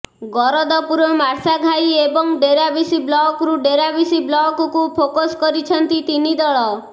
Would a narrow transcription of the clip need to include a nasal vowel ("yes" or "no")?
no